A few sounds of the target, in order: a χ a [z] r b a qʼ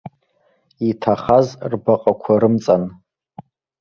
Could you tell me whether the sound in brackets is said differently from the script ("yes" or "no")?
no